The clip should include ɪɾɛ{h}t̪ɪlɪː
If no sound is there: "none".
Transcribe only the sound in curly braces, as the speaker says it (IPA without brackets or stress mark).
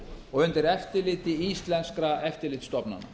f